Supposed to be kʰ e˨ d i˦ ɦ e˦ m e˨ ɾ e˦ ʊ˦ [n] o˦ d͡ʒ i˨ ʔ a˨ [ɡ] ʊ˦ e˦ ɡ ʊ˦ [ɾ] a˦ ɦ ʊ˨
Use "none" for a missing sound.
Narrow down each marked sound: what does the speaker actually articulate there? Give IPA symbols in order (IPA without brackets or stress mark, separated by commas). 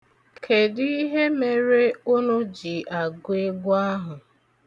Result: n, ɡ, none